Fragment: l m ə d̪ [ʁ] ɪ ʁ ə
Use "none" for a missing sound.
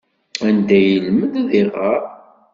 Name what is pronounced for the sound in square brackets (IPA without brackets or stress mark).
ð